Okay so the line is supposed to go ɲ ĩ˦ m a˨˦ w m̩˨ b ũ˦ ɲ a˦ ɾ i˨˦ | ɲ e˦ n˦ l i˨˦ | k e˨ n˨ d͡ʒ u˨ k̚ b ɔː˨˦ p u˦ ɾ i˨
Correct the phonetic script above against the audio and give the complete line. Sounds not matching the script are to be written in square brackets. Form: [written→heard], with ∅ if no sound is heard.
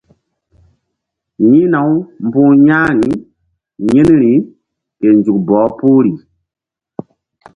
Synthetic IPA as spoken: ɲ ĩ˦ [m→n] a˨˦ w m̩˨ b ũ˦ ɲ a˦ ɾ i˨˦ | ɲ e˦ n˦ [l→ɾ] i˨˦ | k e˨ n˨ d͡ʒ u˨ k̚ b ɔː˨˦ p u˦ ɾ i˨